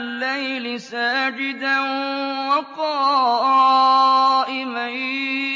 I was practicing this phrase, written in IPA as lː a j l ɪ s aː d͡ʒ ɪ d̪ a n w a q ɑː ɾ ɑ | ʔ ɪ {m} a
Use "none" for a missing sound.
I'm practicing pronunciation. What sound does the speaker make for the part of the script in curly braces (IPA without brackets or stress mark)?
m